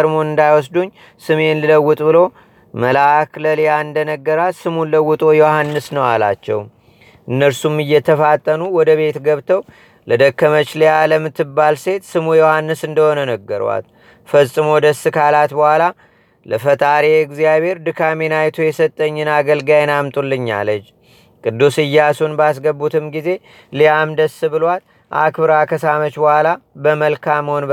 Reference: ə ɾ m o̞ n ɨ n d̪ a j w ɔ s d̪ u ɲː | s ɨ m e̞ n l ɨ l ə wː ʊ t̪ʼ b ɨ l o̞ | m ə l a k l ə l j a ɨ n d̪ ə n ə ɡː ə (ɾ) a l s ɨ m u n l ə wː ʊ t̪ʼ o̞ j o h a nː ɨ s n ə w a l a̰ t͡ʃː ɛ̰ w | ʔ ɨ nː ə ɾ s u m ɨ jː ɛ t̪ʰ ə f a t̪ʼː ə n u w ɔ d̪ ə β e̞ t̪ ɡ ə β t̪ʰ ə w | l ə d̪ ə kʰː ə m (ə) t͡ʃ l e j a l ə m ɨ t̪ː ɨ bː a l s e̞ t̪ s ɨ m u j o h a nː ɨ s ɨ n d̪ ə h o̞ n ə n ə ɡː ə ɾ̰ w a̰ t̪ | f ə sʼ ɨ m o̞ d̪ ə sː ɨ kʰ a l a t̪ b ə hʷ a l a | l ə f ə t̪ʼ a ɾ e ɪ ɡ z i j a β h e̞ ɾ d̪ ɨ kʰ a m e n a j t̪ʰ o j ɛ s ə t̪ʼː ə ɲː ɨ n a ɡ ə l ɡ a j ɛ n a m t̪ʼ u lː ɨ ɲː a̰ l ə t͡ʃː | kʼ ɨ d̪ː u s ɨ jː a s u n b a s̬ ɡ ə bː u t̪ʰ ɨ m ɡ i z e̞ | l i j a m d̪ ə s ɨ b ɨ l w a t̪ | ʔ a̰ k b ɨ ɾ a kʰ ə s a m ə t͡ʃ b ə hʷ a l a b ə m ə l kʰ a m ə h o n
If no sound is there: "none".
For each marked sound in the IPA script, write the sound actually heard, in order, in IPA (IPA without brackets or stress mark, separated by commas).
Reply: ɾ, ə